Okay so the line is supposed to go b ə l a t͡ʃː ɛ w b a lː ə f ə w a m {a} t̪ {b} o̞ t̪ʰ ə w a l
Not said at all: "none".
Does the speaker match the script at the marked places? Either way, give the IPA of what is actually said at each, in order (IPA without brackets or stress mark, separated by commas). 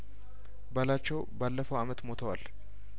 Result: ə, m